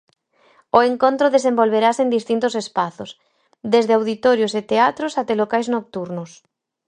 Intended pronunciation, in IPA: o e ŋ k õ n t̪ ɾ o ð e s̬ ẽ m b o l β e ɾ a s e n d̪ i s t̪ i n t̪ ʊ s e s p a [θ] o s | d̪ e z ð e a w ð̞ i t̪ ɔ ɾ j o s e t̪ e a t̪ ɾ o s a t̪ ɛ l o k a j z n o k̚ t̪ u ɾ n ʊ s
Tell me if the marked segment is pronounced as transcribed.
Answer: yes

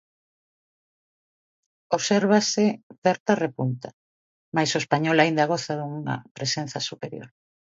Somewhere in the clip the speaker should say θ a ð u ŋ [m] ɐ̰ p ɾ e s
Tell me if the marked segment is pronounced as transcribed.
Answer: no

